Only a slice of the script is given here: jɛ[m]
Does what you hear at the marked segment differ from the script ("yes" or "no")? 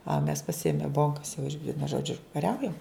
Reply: no